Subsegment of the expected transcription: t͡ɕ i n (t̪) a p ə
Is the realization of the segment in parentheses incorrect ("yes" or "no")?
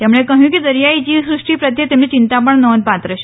no